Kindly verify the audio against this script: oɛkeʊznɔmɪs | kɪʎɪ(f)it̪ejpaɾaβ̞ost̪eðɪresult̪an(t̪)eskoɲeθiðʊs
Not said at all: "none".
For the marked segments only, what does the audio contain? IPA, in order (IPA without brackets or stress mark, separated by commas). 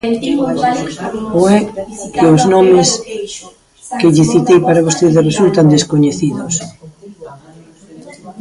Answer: θ, d̪